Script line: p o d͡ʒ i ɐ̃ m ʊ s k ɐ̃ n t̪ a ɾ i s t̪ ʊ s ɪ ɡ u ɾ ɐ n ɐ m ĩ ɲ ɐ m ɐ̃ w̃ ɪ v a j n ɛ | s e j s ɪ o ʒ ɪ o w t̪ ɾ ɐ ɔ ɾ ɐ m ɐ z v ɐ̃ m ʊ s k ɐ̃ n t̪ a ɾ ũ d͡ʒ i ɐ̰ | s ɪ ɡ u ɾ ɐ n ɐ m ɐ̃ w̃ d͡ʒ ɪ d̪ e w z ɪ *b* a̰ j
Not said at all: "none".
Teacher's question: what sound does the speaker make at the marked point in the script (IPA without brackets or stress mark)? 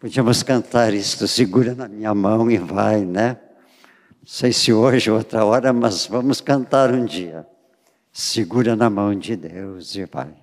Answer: v